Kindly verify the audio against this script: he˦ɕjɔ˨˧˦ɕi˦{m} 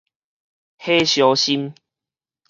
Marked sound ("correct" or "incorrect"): correct